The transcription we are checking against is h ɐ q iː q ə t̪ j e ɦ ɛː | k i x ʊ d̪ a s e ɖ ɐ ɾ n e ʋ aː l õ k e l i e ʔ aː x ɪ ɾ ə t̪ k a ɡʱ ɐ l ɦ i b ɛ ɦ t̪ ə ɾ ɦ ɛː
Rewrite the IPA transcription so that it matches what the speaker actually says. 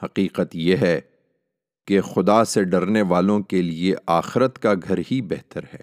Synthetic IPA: h ɐ q iː q ə t̪ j e ɦ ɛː | k e x ʊ d̪ a s e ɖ ɐ ɾ n e ʋ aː l õ k e l i e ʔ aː x ɪ ɾ ə t̪ k a ɡʱ ɐ ɾ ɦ i b ɛ ɦ t̪ ə ɾ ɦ ɛː